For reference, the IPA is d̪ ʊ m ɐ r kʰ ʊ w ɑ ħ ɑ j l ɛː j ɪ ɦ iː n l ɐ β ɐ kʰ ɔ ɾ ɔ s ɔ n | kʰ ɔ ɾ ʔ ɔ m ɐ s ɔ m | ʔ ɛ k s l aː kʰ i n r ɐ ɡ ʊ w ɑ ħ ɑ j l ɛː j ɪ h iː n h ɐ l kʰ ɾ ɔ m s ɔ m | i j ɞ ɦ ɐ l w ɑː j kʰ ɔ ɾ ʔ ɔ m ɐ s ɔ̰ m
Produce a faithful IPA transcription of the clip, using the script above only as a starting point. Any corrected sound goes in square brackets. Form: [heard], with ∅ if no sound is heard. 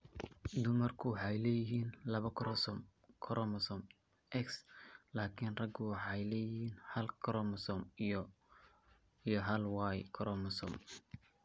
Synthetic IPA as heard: d̪ ʊ m ɐ r kʰ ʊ w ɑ ħ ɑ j l ɛː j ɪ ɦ iː n l ɐ β ɐ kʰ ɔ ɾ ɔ s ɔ [m] | kʰ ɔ ɾ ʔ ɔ m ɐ s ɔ m | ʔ ɛ k s l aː kʰ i n r ɐ ɡ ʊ w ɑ ħ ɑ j l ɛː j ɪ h iː n h ɐ l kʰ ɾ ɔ m s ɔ m | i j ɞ ɦ ɐ l w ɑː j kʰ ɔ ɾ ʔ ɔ m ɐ s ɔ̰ m